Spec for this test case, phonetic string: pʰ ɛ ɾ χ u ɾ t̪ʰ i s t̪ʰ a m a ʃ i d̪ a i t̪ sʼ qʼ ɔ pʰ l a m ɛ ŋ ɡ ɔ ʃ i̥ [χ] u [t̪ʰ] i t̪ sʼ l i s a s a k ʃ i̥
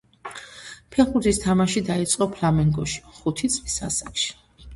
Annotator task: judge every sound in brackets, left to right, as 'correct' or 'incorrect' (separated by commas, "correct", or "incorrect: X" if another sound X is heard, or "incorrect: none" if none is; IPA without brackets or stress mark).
correct, correct